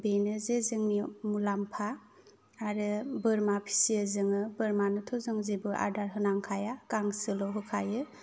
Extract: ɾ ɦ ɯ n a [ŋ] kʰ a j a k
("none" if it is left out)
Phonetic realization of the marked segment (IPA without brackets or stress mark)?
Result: ŋ